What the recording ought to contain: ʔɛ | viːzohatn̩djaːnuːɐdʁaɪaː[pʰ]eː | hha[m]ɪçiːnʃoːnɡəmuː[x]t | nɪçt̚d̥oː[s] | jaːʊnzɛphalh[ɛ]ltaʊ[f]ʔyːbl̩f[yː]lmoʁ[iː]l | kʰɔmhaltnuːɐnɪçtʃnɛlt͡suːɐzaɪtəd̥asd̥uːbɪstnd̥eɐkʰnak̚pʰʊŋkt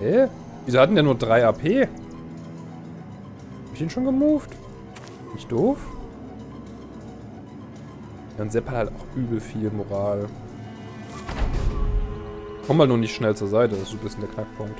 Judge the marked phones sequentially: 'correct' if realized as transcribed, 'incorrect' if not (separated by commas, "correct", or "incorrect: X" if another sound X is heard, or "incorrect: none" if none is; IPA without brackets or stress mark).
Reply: correct, incorrect: b, incorrect: f, incorrect: f, incorrect: a, incorrect: x, incorrect: iː, incorrect: aː